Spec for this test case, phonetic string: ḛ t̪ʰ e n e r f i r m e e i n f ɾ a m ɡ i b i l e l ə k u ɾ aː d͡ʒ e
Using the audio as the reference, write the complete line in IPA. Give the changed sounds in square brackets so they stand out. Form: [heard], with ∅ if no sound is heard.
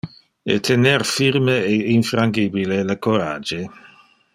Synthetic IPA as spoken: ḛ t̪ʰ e n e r f i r m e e i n f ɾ a [ŋ] ɡ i b i l e l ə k [o] ɾ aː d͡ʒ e